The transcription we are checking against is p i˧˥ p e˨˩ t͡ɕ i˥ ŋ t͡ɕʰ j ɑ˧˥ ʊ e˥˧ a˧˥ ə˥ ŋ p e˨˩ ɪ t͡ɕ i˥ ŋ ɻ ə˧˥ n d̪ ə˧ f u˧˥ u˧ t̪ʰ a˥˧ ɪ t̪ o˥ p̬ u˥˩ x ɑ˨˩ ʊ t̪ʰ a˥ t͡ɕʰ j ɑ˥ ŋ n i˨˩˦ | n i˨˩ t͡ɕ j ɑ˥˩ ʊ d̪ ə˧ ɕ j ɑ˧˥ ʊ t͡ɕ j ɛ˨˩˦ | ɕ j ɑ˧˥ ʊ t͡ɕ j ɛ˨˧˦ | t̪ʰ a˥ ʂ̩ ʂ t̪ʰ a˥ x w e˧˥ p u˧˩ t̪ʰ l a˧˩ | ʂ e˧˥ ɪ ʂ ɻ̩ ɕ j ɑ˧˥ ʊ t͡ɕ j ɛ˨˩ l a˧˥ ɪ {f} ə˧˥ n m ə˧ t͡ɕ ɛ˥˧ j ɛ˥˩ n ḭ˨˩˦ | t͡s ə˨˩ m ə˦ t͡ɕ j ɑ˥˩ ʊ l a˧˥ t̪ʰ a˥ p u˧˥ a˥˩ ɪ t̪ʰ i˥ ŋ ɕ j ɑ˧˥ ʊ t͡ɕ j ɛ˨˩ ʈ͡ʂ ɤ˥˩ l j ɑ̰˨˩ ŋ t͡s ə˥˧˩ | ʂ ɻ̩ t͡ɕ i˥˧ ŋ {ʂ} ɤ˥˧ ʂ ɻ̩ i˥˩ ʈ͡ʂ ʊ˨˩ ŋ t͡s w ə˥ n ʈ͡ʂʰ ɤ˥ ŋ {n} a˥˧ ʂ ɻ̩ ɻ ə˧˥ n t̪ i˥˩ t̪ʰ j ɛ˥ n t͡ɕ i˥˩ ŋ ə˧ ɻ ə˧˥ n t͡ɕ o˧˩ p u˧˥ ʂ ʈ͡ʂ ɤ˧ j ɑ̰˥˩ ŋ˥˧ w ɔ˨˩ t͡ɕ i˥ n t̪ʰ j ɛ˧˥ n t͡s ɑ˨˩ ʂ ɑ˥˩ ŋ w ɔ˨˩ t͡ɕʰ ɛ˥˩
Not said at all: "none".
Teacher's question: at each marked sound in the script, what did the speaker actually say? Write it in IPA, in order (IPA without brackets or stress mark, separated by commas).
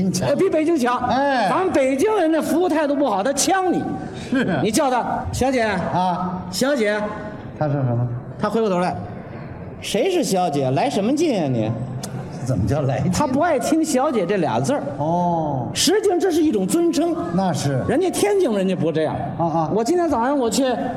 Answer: ʂ, ʈ͡ʂ, n